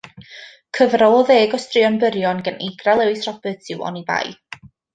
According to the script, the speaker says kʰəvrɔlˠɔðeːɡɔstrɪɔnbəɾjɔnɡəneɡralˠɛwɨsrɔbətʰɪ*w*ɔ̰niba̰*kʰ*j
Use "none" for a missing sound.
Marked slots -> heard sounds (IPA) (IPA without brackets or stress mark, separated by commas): w, none